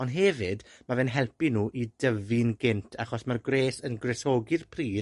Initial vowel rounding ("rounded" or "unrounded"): rounded